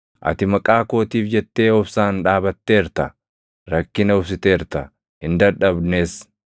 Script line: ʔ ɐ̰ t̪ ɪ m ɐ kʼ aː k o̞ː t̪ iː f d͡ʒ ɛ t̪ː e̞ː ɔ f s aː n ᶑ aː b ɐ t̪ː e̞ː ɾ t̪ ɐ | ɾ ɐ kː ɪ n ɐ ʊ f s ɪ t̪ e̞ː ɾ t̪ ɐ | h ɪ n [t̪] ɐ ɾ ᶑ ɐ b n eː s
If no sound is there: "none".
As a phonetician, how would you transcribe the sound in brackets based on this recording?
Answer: d̪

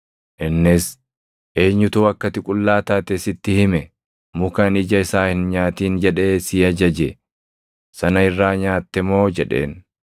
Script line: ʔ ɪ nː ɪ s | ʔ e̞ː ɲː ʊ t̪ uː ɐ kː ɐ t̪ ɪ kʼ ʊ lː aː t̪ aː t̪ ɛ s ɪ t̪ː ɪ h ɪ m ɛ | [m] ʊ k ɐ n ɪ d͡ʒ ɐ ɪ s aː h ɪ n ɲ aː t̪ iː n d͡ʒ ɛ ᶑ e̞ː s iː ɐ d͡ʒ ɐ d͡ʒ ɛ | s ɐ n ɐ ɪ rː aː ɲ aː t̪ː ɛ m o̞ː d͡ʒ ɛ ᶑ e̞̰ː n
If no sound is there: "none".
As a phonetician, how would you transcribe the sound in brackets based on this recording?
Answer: m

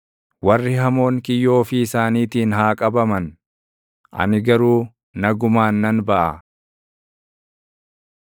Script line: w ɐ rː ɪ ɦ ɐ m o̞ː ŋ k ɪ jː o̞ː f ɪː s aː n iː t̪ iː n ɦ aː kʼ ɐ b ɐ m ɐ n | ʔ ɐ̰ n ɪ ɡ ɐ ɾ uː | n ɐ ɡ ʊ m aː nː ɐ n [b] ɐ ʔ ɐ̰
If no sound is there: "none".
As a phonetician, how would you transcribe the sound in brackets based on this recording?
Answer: b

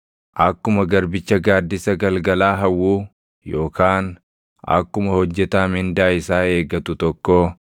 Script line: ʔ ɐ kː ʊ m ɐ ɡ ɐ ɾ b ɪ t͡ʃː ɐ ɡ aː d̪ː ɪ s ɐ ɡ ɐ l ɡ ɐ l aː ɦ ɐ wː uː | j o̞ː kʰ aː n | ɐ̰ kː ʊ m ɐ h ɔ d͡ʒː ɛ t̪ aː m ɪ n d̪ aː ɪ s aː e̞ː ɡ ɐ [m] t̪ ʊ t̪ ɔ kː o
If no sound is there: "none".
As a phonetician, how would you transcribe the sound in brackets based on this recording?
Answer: none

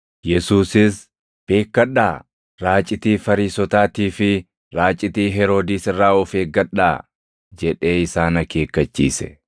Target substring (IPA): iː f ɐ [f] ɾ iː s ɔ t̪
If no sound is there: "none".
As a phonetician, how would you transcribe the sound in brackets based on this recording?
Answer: none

